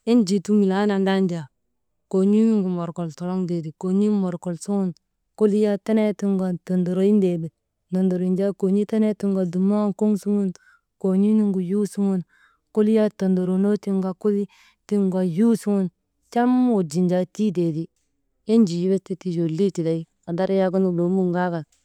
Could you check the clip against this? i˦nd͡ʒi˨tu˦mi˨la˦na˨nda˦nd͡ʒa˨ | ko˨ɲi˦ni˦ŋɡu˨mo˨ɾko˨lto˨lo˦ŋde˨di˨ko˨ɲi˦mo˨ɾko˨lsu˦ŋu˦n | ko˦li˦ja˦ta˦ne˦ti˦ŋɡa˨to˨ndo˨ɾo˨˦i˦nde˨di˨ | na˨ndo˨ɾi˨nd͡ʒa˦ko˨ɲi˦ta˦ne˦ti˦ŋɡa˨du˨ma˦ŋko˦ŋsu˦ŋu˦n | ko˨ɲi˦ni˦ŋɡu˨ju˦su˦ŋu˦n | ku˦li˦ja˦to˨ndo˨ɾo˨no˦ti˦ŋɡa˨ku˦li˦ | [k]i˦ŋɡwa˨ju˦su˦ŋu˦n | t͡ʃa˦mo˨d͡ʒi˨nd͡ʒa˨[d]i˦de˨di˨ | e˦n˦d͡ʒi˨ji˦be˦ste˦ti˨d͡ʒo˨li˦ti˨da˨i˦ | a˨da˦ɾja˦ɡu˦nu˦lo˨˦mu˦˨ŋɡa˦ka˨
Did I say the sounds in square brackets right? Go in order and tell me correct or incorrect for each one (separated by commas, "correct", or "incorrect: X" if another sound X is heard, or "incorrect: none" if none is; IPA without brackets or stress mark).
incorrect: t, incorrect: t